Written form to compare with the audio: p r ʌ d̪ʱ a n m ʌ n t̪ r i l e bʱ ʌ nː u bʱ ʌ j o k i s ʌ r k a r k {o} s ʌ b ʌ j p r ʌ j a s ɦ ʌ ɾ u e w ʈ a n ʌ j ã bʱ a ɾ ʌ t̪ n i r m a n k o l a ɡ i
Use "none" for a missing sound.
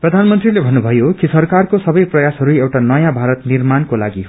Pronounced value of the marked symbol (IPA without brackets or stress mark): o